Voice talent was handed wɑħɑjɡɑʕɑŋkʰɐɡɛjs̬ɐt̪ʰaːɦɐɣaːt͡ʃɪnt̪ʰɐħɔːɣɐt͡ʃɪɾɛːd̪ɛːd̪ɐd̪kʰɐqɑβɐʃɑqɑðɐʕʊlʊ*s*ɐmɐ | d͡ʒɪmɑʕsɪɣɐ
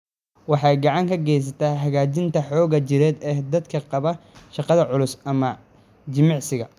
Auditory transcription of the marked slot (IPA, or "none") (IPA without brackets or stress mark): s